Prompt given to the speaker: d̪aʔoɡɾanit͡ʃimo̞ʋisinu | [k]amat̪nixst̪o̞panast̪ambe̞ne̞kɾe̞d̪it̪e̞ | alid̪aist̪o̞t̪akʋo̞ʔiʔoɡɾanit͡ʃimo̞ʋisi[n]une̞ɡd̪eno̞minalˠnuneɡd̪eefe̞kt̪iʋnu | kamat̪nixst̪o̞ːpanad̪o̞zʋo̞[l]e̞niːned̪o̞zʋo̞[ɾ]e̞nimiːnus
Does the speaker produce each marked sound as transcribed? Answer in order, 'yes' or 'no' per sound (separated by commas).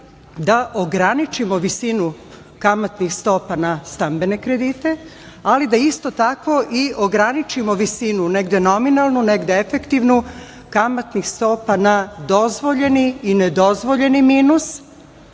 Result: yes, yes, no, no